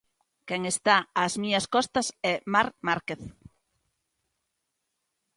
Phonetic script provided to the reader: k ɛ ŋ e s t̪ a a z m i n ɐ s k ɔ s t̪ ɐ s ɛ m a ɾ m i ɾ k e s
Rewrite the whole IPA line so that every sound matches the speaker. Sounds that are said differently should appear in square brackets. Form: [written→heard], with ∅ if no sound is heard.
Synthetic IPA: k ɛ ŋ e s t̪ a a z m i [n→ɲ] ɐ s k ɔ s t̪ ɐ s ɛ m a ɾ m [i→a] ɾ k e [s→θ]